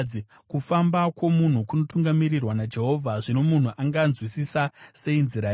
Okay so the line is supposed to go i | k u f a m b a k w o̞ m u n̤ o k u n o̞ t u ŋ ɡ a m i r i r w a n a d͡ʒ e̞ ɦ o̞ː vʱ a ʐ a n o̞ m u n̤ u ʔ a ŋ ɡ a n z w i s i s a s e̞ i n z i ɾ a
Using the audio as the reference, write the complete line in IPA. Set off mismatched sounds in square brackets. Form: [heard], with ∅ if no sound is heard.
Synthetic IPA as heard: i | k u f a m b a k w o̞ m u n̤ [u] k u n o̞ t u ŋ ɡ a m i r i r w a n a d͡ʒ e̞ ɦ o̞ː vʱ a ʐ [i] n o̞ m u n̤ u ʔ a ŋ ɡ a n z w i s i s a s e̞ i n z i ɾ a